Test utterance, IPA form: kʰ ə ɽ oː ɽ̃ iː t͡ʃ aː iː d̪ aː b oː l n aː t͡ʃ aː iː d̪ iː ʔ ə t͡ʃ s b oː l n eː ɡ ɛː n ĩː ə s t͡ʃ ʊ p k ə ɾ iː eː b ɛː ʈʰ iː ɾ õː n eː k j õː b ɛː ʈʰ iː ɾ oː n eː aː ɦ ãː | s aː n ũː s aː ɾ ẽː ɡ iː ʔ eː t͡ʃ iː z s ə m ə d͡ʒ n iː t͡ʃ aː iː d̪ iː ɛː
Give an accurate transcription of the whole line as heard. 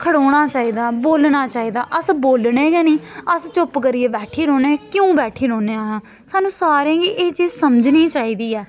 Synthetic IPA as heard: kʰ ə ɽ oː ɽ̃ aː t͡ʃ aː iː d̪ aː b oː l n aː t͡ʃ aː iː d̪ aː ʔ ə s b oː l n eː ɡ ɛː n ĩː ə s t͡ʃ ʊ p k ə ɾ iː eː b ɛː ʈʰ iː ɾ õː n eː k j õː b ɛː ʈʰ iː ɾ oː n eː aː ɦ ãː | s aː n ũː s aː ɾ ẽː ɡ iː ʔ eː t͡ʃ iː z s ə m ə d͡ʒ n iː t͡ʃ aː iː d̪ iː ɛː